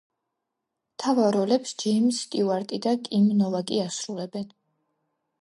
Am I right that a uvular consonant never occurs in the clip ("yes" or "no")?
yes